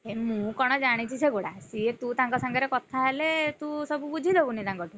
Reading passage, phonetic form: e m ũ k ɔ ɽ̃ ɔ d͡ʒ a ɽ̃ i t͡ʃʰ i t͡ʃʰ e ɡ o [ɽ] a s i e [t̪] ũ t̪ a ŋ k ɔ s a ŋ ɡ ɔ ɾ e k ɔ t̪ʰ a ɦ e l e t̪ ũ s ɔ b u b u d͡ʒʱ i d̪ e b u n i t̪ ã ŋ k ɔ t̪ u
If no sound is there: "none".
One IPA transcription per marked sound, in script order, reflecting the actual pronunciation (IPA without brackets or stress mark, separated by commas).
ɽ, t̪